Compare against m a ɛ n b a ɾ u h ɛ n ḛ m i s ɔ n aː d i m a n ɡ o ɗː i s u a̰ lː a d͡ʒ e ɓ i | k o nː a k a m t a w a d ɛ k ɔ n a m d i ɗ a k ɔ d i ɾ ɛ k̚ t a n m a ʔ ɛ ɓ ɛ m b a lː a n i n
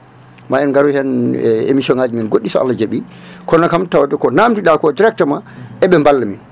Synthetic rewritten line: m a ɛ n ɡ a ɾ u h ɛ n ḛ m i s ɔ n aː d͡ʒ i m i n ɡ o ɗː i s ɔ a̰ lː a d͡ʒ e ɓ i | k ɔ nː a k a m t a w a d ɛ k ɔ n a m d i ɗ a k ɔ d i ɾ ɛ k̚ t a m a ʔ ɛ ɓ ɛ m b a lː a m i n